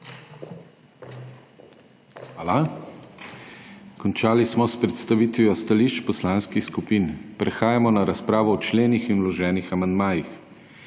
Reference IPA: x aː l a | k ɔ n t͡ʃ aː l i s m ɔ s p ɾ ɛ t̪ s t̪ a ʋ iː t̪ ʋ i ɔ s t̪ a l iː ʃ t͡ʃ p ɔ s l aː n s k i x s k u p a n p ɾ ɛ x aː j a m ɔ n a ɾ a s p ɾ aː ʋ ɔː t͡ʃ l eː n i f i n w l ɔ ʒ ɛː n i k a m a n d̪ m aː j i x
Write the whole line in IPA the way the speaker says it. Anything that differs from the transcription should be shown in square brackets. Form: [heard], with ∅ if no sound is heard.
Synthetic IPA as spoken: x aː l a | k ɔ n t͡ʃ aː l i s m ɔ s p ɾ ɛ t̪ s t̪ a ʋ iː t̪ ʋ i ɔ s t̪ a l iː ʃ t͡ʃ p ɔ s l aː n s k i x s k u p [i] n p ɾ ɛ x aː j a m ɔ n a ɾ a s p ɾ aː ʋ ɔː t͡ʃ l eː n i [x] i n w l ɔ ʒ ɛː n i [x] a m a n d̪ m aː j i x